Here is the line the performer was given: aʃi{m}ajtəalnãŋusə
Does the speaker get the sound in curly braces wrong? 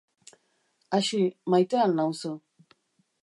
no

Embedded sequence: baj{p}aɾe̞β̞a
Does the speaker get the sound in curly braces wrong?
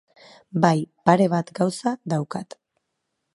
no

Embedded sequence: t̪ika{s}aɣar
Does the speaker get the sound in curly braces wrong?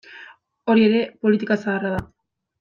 no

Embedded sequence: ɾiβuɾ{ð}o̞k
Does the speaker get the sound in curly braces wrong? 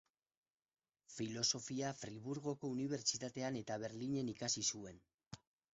yes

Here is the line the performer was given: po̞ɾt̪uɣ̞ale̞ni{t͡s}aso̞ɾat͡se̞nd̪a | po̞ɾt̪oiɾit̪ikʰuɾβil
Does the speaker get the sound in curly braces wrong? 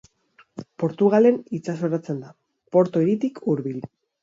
no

